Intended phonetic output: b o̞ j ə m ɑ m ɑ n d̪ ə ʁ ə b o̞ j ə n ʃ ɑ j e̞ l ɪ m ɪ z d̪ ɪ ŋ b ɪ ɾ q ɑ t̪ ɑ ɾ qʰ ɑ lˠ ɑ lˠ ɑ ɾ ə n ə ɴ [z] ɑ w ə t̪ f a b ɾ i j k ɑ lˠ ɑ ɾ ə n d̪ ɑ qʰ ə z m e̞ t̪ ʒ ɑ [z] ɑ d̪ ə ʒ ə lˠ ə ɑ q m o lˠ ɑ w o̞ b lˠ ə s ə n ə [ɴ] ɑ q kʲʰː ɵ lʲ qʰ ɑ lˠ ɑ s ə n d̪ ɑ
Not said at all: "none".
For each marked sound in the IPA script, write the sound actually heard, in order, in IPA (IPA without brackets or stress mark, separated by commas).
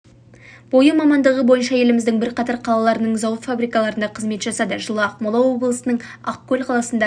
z, s, ɴ